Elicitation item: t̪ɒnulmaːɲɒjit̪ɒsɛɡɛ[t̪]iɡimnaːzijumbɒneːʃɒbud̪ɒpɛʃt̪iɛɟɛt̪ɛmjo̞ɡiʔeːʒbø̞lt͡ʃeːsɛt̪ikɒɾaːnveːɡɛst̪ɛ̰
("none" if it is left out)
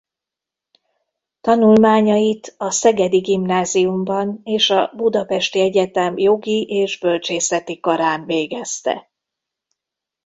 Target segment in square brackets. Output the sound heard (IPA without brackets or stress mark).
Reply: d̪